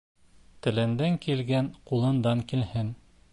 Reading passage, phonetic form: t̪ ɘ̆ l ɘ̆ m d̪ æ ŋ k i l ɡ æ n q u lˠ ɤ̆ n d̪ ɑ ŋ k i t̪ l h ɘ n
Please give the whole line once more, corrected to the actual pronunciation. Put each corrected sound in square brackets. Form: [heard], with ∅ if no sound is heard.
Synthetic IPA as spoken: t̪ ɘ̆ l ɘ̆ [n] d̪ æ ŋ k i l ɡ æ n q u lˠ ɤ̆ n d̪ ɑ ŋ k i [∅] l h ɘ n